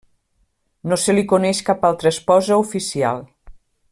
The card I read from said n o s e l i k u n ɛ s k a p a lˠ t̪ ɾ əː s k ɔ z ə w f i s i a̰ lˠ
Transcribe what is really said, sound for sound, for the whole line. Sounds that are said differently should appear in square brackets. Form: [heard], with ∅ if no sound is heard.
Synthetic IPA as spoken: n o s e l i k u n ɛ [ʃ] k a p a lˠ t̪ ɾ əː s [p] ɔ z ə [u] f i s i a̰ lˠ